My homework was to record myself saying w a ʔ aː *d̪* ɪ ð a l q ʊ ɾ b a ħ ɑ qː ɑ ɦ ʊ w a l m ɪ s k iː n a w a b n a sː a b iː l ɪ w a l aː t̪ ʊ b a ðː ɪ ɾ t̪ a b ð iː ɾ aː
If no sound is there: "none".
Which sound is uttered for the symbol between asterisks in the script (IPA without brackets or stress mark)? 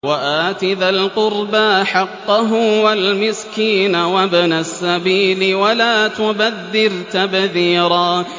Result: t̪